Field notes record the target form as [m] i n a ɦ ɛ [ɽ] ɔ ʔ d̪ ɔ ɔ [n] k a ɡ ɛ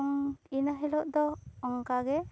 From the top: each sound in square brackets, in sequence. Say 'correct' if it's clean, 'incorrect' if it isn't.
incorrect: ŋ, incorrect: l, incorrect: ŋ

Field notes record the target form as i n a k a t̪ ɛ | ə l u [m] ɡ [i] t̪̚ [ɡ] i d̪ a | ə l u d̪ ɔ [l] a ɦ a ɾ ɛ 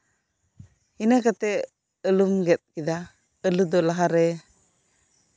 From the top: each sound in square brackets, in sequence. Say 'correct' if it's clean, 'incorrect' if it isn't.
correct, incorrect: ɛ, incorrect: k, correct

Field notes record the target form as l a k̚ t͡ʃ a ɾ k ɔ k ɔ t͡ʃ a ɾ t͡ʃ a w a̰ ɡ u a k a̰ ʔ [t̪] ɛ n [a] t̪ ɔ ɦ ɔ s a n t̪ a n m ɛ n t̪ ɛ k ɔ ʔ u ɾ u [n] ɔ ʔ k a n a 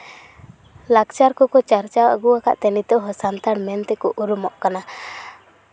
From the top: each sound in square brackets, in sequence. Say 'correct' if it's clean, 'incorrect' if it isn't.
correct, incorrect: i, incorrect: m

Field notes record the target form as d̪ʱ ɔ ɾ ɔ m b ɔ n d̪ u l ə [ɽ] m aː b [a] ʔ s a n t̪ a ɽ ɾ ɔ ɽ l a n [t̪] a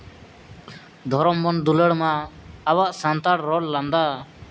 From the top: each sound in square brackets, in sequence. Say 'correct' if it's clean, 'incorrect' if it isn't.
correct, correct, incorrect: d̪

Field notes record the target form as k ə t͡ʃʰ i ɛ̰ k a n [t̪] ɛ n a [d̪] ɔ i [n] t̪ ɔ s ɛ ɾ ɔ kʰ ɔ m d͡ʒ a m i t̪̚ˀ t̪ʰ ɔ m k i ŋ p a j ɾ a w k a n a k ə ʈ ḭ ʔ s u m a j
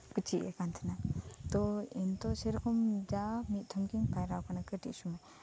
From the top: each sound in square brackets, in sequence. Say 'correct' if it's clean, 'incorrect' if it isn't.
incorrect: t̪ʰ, incorrect: t̪, correct

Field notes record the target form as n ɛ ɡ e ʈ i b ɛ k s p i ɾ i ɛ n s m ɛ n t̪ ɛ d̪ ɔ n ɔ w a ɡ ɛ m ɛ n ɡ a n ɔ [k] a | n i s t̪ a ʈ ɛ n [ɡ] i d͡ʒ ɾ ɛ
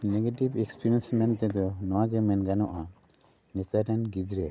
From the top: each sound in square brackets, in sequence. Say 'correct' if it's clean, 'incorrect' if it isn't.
incorrect: ʔ, correct

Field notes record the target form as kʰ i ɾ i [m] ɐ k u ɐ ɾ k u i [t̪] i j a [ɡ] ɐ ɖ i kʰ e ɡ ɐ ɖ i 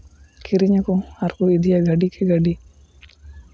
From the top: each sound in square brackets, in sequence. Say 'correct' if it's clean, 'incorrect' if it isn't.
incorrect: ɲ, incorrect: d̪, correct

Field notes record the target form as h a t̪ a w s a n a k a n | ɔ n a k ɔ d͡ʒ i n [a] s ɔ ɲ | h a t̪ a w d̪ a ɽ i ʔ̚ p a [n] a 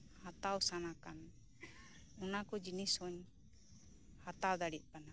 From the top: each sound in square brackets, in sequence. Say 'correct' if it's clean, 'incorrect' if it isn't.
incorrect: i, correct

